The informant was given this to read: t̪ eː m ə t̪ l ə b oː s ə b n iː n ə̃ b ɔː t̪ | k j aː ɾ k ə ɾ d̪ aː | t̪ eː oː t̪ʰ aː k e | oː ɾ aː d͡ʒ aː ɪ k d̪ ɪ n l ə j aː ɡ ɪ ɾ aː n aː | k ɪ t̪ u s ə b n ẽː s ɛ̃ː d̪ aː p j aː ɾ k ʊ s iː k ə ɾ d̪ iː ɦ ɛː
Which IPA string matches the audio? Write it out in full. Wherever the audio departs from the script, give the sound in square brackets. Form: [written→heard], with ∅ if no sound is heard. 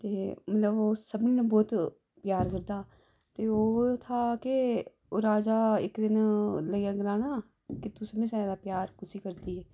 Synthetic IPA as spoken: t̪ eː m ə t̪ l ə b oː s ə b n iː n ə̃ b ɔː t̪ | [k→p] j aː ɾ k ə ɾ d̪ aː | t̪ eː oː t̪ʰ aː k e | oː ɾ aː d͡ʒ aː ɪ k d̪ ɪ n l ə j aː ɡ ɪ ɾ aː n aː | k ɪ t̪ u s ə b n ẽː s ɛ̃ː d̪ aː p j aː ɾ k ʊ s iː k ə ɾ d̪ iː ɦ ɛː